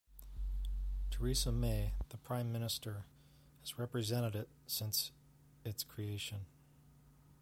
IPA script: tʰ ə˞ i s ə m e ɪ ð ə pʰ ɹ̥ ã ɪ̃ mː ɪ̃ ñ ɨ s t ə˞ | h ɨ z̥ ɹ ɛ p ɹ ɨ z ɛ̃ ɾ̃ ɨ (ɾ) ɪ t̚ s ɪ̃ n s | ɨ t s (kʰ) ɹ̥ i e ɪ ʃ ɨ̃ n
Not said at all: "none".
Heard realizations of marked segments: ɾ, kʰ

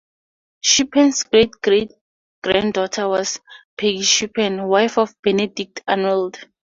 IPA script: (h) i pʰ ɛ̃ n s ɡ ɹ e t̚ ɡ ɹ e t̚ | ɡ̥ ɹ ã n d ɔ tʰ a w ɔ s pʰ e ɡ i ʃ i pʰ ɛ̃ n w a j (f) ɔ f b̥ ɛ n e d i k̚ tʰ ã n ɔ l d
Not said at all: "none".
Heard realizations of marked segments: ʃ, f

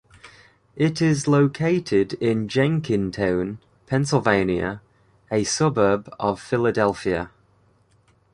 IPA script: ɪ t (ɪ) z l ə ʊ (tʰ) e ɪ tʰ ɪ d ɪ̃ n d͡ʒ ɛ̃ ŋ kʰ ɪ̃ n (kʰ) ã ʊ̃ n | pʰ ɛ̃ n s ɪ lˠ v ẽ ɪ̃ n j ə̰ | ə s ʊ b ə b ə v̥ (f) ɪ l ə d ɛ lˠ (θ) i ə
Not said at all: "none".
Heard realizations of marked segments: ɪ, kʰ, tʰ, f, f

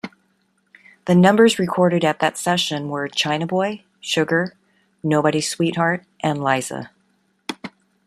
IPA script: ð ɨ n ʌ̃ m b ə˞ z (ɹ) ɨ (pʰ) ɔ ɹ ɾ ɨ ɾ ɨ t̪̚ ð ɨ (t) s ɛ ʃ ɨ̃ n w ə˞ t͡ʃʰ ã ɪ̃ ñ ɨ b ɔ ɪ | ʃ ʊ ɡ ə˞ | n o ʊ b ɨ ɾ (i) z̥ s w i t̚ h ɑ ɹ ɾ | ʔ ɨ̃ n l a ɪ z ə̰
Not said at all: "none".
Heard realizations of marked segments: ɹ, kʰ, t, i

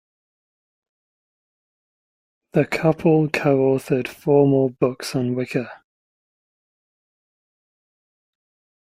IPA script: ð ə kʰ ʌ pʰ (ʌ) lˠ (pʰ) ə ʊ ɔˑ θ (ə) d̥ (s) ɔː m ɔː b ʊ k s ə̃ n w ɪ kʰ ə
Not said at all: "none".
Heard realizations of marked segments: ə, kʰ, ə, f

